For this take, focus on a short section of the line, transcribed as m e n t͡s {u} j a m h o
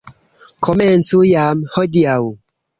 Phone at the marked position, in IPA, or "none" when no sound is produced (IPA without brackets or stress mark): u